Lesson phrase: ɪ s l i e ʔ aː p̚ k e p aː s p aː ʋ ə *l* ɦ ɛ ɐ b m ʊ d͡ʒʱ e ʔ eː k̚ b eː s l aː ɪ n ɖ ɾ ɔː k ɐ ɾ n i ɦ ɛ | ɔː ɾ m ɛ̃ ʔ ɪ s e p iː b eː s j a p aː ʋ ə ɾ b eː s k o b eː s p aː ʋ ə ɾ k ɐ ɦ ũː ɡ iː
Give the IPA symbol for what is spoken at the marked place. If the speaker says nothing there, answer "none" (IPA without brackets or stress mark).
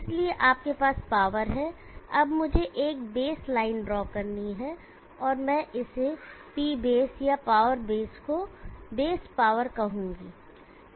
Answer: ɾ